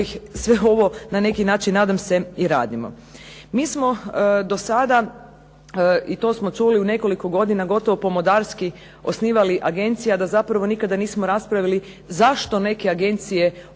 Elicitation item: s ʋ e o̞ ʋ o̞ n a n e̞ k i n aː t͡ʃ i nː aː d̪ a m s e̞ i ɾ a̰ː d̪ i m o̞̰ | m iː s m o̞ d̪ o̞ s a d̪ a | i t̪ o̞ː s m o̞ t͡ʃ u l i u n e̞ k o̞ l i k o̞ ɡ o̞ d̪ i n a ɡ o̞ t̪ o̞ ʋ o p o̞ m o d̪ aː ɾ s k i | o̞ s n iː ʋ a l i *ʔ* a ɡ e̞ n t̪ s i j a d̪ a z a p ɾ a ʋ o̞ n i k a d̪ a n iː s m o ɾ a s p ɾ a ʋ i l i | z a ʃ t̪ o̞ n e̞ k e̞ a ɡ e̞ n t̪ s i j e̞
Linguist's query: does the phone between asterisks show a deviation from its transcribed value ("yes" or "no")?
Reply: no